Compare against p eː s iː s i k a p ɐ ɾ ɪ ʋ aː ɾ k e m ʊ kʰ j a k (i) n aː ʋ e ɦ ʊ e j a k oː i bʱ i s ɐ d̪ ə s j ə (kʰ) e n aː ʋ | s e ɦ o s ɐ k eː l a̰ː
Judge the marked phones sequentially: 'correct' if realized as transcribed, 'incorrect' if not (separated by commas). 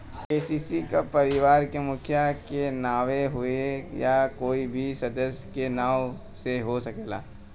incorrect, incorrect